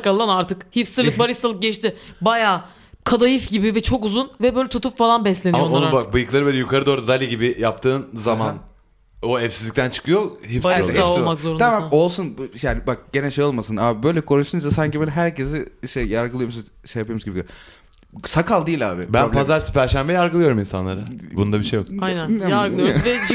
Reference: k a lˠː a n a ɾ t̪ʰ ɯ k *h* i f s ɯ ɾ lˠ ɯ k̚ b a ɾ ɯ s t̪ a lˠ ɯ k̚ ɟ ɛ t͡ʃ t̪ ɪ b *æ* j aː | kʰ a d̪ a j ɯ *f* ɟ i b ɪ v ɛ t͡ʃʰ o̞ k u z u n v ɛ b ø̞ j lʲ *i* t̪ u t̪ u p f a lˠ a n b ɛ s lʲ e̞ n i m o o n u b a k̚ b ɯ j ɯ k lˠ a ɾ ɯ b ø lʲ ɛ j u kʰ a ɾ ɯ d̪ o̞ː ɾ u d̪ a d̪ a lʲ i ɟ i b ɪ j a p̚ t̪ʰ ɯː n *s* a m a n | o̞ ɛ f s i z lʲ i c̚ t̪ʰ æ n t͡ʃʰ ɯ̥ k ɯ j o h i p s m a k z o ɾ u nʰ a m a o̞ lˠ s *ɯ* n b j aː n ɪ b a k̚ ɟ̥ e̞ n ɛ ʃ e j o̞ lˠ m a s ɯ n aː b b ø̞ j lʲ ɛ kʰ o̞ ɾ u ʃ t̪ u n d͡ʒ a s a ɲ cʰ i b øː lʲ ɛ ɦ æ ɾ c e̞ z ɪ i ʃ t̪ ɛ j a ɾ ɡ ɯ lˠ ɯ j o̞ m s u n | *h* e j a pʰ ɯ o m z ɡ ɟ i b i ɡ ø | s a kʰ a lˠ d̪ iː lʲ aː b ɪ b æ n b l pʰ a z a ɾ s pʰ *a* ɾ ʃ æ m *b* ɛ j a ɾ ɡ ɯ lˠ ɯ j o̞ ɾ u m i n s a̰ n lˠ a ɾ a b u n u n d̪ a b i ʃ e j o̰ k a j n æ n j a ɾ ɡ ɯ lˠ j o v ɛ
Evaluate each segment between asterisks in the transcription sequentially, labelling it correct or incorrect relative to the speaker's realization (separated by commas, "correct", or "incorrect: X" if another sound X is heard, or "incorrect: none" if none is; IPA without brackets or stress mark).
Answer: correct, incorrect: a, correct, incorrect: ɛ, incorrect: z, incorrect: u, incorrect: ʃ, incorrect: æ, correct